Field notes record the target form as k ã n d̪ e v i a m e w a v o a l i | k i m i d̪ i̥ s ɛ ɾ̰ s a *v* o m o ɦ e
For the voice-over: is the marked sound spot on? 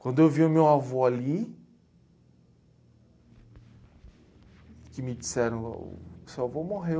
yes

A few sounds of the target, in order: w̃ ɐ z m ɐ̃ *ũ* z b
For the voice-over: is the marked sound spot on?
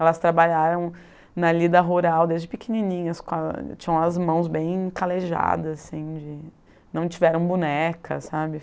no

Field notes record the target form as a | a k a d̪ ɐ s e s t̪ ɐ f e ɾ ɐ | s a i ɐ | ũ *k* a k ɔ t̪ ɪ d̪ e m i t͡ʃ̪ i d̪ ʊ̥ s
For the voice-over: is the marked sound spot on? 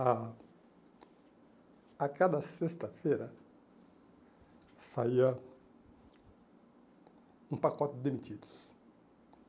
no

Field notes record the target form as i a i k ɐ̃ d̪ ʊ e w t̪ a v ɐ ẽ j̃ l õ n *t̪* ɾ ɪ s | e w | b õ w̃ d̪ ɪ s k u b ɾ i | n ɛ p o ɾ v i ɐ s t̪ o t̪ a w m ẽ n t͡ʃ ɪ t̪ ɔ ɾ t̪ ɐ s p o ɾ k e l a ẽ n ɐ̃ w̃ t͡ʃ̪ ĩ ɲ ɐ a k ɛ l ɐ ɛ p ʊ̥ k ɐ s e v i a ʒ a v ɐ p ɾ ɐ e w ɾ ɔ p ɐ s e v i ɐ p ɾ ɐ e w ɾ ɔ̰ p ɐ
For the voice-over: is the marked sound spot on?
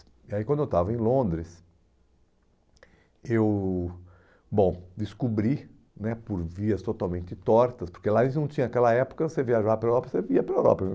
no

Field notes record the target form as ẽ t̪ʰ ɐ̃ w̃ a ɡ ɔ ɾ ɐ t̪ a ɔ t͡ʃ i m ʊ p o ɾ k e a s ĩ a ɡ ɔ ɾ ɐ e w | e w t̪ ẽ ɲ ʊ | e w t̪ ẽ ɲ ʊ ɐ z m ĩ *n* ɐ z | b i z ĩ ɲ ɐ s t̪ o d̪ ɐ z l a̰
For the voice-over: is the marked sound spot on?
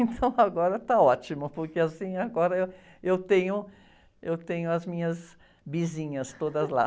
no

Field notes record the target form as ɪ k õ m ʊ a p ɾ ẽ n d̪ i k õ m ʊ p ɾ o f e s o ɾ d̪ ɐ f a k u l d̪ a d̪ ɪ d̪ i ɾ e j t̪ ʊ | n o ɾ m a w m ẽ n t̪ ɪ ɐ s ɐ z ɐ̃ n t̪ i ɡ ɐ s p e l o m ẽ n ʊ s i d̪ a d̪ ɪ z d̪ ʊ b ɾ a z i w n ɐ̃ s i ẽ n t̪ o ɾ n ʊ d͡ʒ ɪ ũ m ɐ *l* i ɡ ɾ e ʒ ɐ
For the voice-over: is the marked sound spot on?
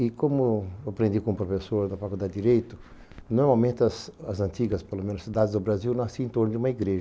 no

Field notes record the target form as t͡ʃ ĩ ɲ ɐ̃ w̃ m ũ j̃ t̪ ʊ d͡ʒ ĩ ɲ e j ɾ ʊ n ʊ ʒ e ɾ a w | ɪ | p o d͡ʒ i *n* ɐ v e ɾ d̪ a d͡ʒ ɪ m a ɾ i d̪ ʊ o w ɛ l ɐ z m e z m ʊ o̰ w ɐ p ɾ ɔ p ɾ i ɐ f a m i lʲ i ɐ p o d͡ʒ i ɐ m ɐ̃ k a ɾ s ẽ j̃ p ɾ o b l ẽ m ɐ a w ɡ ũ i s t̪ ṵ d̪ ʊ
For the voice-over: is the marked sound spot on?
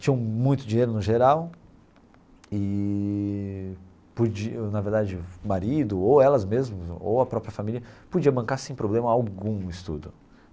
yes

